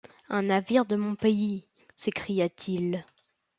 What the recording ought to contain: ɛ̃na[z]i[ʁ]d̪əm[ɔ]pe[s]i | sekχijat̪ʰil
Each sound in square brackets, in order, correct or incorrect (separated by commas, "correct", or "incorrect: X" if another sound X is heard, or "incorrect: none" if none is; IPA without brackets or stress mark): incorrect: v, correct, incorrect: ɔ̃, incorrect: none